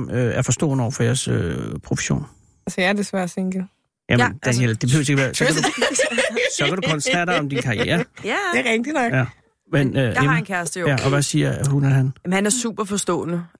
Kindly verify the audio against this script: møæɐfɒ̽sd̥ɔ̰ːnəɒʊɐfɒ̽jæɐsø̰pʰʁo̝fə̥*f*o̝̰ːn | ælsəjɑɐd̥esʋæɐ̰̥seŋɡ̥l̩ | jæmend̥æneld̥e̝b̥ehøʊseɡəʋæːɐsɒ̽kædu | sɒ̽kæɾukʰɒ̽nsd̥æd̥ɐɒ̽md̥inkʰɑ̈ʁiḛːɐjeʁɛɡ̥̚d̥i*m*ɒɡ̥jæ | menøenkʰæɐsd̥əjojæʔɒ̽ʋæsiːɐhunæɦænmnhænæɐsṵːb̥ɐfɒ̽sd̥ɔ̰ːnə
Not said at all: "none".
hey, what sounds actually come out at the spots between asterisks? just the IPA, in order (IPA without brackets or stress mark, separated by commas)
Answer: ɕ, n